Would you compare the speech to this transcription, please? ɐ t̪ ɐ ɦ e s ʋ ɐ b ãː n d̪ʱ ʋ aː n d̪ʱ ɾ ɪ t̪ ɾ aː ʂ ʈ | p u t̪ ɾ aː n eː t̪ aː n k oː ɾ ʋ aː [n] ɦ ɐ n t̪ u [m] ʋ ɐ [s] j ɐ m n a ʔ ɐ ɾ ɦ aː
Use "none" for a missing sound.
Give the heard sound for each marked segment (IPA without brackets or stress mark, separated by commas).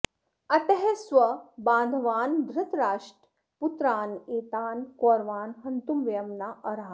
n, m, none